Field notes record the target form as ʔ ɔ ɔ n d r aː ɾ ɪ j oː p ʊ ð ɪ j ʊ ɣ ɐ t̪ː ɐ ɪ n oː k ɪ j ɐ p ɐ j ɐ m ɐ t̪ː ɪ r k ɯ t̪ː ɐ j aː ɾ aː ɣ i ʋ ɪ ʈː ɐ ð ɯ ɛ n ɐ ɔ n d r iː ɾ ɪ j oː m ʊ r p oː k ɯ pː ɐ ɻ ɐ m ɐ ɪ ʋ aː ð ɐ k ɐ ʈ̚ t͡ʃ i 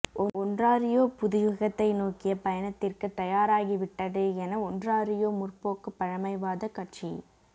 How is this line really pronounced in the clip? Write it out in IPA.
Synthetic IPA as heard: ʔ ɔ ɔ n d r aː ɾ ɪ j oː p ʊ ð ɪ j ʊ ɣ ɐ t̪ː ɐ ɪ n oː k ɪ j ɐ p ɐ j ɐ n ɐ t̪ː ɪ r k ɯ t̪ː ɐ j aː ɾ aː ɣ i ʋ ɪ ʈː ɐ ð ɯ ɛ n ɐ ɔ n d r aː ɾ ɪ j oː m ʊ r p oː k ɯ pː ɐ ɻ ɐ m ɐ ɪ ʋ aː ð ɐ k ɐ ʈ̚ t͡ʃ i